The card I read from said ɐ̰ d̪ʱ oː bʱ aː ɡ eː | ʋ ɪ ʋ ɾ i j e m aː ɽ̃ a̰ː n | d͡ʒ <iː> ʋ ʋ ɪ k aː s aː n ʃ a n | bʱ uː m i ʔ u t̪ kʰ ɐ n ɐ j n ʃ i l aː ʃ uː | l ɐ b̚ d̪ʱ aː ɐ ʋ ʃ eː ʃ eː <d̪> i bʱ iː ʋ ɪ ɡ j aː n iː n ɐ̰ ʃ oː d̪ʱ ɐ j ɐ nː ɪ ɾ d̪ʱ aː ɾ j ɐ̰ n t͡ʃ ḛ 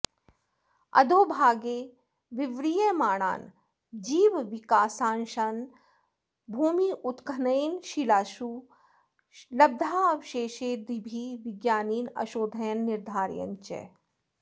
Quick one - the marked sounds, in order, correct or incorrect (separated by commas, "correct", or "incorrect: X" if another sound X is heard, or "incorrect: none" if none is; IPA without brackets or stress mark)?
correct, correct